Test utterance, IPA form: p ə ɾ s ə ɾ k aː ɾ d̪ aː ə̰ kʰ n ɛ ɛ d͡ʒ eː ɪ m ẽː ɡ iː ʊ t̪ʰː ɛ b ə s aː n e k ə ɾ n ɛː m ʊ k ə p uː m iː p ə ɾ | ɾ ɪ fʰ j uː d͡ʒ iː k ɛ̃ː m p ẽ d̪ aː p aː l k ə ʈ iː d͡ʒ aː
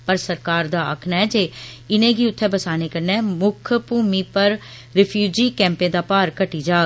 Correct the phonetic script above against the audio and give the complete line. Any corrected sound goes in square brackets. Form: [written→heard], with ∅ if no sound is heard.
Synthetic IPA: p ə ɾ s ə ɾ k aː ɾ d̪ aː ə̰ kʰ n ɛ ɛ d͡ʒ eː ɪ [m→n] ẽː ɡ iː ʊ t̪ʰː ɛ b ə s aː n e k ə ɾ n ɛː m ʊ [k→kʰ] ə p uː m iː p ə ɾ | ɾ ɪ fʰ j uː d͡ʒ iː k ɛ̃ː m p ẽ d̪ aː p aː [l→ɾ] k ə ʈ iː d͡ʒ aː